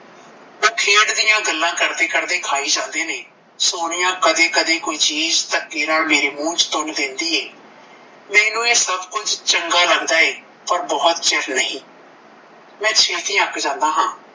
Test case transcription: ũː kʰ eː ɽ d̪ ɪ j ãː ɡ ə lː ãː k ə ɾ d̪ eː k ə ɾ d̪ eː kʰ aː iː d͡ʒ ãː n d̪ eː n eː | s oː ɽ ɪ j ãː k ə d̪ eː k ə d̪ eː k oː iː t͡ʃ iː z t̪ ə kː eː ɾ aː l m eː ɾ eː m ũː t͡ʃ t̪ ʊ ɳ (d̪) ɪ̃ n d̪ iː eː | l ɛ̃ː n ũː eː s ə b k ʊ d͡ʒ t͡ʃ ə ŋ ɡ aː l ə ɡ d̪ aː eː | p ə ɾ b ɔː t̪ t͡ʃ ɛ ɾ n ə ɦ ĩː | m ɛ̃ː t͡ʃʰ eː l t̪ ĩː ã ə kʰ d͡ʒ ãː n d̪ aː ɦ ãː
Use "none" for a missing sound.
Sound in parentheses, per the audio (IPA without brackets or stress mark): d̪